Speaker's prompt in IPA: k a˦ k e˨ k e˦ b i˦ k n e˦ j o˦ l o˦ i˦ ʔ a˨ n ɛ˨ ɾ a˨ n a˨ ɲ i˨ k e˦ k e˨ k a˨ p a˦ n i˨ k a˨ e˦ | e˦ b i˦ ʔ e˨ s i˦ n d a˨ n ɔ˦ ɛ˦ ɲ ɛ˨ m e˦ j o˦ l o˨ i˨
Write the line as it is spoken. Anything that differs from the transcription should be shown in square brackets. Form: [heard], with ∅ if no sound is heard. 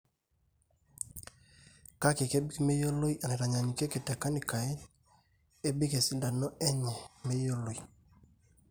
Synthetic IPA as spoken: k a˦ k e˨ k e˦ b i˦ k [m] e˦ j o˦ l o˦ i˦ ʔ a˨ n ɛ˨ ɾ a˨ [ɲ] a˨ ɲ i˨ k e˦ k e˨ [t] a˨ [k] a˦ n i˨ k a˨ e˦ | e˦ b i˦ [k] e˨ s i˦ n d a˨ n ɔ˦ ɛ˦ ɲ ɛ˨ m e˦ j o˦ l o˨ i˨